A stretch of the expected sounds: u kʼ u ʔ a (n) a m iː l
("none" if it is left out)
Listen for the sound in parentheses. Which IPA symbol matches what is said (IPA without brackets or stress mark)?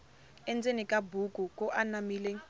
n